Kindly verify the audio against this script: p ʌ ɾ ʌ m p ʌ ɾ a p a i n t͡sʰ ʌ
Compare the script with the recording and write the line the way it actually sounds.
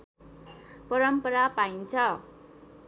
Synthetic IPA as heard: p ʌ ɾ ʌ m p ʌ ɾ a p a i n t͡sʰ ʌ